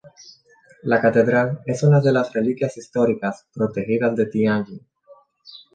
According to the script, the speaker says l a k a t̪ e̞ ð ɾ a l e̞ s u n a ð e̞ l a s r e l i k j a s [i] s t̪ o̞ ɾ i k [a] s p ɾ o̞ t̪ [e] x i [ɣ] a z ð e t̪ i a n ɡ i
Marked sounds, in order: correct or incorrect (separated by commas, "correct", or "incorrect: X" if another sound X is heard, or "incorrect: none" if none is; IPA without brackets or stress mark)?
correct, correct, correct, incorrect: ð